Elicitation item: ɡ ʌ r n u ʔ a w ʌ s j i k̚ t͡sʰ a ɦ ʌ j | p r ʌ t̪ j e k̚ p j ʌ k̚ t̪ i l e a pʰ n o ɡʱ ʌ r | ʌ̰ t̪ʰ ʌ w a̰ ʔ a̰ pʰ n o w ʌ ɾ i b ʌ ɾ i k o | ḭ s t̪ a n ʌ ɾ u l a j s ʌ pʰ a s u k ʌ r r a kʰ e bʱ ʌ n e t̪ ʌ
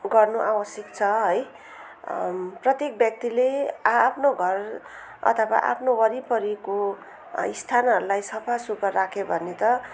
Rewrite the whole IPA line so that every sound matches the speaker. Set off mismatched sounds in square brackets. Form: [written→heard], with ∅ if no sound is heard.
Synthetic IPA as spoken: ɡ ʌ r n u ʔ a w ʌ s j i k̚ t͡sʰ [a→ʌ] ɦ ʌ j | p r ʌ t̪ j e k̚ [p→b] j ʌ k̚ t̪ i l e a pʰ n o ɡʱ ʌ r | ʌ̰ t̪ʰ ʌ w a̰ ʔ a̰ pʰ n o w ʌ ɾ i [b→p] ʌ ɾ i k o | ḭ s [t̪→t̪ʰ] a n ʌ ɾ u l a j s ʌ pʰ a s u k ʌ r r a kʰ e bʱ ʌ n e t̪ ʌ